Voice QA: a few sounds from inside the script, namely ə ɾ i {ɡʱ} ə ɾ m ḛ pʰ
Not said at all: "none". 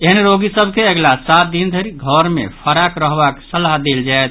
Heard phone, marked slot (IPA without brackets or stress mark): ɡʱ